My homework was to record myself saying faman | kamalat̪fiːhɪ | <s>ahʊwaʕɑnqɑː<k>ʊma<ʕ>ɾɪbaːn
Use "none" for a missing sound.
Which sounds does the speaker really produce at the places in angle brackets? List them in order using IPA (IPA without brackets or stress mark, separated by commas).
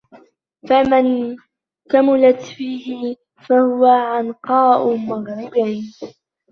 f, ʔ, ɣ